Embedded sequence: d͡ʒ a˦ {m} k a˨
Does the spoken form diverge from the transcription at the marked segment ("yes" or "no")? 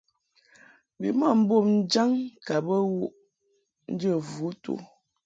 yes